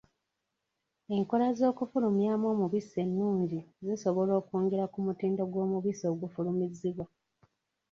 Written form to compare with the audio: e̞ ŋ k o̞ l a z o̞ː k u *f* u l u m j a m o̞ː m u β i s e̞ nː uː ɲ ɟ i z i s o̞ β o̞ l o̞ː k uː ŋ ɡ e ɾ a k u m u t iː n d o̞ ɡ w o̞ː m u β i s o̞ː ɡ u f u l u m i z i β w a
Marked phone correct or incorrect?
correct